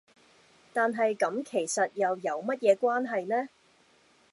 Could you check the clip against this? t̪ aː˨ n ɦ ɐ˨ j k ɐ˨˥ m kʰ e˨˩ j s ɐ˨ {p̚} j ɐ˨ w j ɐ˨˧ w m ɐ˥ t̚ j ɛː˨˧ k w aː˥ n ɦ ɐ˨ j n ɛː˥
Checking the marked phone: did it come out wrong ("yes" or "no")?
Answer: yes